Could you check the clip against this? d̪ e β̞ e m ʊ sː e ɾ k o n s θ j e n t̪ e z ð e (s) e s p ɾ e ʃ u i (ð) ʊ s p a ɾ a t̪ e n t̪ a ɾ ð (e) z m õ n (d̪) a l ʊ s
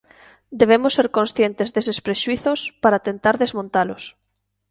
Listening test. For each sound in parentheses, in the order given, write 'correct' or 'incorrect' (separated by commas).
correct, incorrect, correct, incorrect